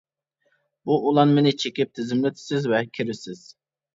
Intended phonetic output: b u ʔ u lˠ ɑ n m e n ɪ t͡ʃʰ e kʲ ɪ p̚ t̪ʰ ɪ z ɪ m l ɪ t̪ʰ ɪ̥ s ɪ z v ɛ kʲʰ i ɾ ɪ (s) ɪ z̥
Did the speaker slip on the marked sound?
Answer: no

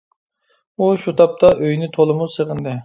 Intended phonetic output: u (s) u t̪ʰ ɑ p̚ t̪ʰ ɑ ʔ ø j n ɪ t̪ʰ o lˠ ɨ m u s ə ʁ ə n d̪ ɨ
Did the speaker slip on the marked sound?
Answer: yes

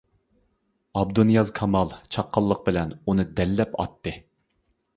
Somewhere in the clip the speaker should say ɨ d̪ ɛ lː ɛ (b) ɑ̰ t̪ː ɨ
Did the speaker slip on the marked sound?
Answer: yes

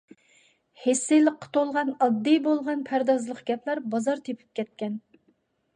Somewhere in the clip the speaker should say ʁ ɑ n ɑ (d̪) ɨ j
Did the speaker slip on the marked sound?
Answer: yes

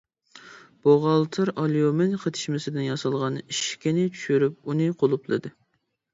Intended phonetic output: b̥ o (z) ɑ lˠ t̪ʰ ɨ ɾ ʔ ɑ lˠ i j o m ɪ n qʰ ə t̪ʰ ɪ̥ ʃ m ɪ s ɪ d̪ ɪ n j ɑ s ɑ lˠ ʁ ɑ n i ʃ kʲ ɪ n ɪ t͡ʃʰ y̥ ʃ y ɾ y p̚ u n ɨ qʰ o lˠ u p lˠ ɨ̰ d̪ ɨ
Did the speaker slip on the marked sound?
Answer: yes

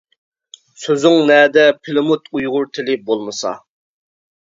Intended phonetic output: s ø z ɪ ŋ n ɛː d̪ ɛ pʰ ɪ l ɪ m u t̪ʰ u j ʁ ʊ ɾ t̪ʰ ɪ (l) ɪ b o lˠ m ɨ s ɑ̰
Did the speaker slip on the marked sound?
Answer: no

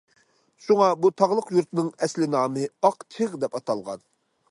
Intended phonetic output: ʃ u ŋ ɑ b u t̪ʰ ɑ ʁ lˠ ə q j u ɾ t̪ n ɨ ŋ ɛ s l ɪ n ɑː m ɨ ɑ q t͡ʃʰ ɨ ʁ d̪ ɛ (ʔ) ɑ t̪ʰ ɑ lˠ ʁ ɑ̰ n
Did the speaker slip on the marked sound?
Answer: yes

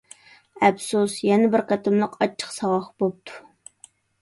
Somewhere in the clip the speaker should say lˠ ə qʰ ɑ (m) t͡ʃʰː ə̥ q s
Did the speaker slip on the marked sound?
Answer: yes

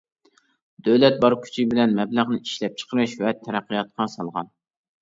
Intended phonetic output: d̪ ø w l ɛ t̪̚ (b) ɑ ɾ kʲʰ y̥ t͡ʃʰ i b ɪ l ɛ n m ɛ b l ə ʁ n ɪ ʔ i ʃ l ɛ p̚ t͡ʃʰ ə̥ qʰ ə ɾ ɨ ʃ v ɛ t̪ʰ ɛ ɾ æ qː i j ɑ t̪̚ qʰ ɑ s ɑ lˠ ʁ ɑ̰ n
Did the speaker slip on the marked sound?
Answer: no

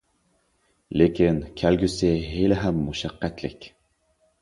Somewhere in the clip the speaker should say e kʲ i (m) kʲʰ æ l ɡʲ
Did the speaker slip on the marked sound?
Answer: yes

